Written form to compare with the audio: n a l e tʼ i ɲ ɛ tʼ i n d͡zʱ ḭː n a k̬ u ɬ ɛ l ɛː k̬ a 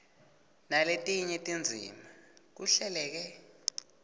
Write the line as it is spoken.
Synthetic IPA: n a l e tʼ i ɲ ɛ tʼ i n d͡zʱ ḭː m a k̬ u ɬ ɛ l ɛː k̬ ɛ